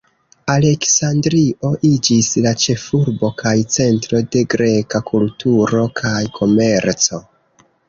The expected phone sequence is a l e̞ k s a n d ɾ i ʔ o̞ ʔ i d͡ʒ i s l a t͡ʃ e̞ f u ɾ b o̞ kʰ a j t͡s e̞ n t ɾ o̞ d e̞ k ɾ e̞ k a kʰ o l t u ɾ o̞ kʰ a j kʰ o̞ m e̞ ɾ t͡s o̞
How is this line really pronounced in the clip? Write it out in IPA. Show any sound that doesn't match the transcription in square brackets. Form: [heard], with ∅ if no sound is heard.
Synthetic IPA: a l e̞ k s a n d ɾ i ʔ o̞ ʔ i d͡ʒ i s l a t͡ʃ e̞ f u ɾ b o̞ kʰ a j t͡s e̞ n t ɾ o̞ d e̞ [ɡ] ɾ e̞ k a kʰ [u] l t u ɾ o̞ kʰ a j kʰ o̞ m e̞ ɾ t͡s o̞